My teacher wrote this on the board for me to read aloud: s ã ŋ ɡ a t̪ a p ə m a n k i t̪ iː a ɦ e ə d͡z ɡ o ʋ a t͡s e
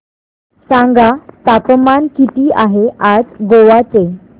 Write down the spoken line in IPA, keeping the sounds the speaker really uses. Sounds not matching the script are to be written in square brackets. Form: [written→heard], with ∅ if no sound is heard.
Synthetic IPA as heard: s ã ŋ ɡ a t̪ a p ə m a n k i t̪ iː a ɦ e [ə→a] d͡z ɡ o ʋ a t͡s e